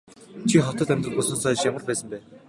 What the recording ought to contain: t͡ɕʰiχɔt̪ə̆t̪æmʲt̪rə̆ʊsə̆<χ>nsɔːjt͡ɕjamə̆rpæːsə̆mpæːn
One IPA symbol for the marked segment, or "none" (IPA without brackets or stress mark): none